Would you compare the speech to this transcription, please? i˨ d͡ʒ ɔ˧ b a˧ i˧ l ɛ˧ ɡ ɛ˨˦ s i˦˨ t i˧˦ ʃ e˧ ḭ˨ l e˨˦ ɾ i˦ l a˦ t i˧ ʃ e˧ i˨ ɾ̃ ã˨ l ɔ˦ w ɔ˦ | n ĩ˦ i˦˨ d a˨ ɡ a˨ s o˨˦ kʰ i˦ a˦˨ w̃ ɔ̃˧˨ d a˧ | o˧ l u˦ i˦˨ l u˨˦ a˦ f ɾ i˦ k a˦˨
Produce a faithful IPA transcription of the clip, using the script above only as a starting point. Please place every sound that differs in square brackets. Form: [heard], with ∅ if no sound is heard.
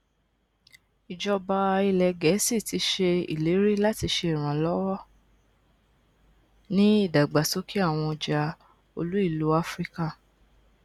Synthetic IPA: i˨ d͡ʒ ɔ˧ b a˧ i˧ l ɛ˧ ɡ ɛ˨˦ s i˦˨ t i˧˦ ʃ e˧ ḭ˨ l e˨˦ ɾ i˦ l a˦ t i˧ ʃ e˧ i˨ ɾ̃ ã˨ l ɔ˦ w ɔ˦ | n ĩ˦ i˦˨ d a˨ [ɡ͡b] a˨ s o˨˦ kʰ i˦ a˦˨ w̃ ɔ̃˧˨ [d͡ʒ] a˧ | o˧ l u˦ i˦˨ l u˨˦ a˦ f ɾ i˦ k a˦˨